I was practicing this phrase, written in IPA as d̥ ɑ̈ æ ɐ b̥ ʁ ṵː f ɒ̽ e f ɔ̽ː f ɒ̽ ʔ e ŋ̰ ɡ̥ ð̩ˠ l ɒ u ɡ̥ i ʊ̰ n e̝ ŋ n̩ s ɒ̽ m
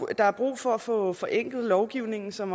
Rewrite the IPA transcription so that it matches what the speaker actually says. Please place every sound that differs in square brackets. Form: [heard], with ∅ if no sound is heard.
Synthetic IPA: d̥ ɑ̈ æ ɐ b̥ ʁ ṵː f ɒ̽ [æ] f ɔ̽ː f ɒ̽ ʔ e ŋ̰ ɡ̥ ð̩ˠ l ɒ [ʊ] ɡ̥ i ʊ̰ n e̝ ŋ n̩ s ɒ̽ m